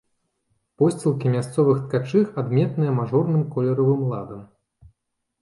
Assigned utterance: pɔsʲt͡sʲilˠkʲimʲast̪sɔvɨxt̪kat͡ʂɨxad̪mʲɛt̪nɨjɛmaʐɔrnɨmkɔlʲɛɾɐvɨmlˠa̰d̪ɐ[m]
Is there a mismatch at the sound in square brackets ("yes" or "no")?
no